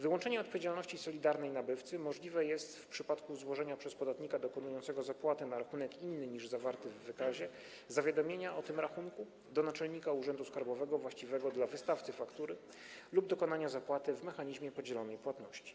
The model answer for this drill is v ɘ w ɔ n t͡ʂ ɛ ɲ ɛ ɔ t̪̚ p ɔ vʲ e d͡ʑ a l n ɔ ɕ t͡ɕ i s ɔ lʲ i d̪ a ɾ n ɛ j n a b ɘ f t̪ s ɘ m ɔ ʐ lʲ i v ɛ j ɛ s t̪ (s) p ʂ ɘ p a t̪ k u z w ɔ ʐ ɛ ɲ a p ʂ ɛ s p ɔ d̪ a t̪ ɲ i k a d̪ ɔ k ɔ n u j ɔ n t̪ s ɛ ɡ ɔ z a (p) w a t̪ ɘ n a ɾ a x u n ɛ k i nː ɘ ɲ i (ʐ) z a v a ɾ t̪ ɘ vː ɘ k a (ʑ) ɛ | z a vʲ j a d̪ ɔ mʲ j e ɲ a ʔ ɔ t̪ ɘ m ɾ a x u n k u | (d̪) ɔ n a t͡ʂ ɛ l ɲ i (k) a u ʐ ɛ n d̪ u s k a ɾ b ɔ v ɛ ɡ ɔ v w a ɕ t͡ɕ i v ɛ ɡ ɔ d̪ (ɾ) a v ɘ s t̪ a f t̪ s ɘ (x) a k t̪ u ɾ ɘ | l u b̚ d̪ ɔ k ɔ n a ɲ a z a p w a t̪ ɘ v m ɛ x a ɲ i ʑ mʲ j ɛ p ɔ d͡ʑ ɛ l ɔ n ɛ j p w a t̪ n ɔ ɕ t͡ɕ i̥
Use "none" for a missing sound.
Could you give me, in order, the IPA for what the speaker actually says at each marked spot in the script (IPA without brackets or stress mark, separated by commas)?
f, p, ʐ, ʑ, d̪, k, l, f